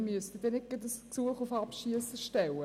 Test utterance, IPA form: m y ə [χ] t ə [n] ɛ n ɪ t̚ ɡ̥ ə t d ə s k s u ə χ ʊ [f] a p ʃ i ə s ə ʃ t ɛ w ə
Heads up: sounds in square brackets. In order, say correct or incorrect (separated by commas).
incorrect, incorrect, correct